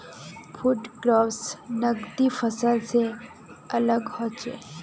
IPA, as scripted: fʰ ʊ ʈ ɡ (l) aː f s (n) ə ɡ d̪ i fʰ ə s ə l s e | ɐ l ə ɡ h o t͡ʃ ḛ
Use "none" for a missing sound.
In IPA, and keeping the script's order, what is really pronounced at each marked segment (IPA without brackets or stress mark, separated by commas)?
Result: ɾ, n